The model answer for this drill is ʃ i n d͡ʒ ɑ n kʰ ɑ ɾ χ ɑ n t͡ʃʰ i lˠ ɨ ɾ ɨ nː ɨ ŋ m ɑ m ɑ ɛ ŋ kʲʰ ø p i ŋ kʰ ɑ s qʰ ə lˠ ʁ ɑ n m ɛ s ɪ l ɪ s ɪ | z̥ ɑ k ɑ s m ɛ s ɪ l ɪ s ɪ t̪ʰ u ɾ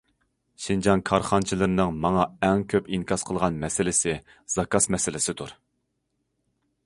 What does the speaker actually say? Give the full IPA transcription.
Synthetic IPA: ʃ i n d͡ʒ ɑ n kʰ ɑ ɾ χ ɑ n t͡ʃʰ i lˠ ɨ ɾ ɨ n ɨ ŋ m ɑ ŋ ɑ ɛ ŋ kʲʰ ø p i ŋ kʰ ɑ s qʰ ə lˠ ʁ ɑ n m ɛ s ɪ l ɪ s ɪ | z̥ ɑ k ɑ s m ɛ s ɪ l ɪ s ɪ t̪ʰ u ɾ